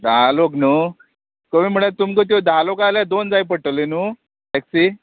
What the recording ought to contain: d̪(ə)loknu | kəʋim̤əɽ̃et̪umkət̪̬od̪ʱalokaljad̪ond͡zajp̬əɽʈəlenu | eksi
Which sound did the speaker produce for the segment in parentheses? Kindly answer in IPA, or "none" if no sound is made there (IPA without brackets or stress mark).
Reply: a